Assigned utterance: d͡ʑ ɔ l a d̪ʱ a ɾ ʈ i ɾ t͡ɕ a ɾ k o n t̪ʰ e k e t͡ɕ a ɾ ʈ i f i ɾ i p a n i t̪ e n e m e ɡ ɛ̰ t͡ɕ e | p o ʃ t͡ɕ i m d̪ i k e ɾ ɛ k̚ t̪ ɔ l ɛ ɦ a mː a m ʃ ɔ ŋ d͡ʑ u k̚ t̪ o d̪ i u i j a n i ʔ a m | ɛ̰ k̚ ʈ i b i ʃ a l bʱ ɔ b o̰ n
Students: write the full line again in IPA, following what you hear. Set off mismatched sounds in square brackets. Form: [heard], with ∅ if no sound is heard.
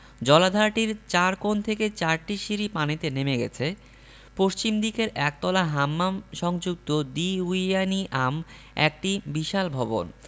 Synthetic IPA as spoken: d͡ʑ ɔ l a d̪ʱ a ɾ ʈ i ɾ t͡ɕ a ɾ k o n t̪ʰ e k e t͡ɕ a ɾ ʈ i [ʃ] i ɾ i p a n i t̪ e n e m e ɡ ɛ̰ [t͡ɕʰ] e | p o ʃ t͡ɕ i m d̪ i k e ɾ ɛ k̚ t̪ ɔ l [a] ɦ a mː a m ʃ ɔ ŋ d͡ʑ u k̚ t̪ o d̪ i u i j a n i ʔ a m | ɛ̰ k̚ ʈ i b i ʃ a l bʱ ɔ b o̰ n